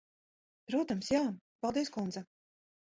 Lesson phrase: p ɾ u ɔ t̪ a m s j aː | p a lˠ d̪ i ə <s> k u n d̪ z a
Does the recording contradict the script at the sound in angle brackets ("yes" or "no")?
no